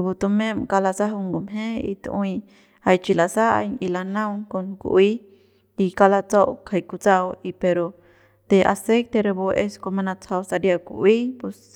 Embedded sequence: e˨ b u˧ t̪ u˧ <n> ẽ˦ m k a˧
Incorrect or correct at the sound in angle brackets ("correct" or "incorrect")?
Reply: incorrect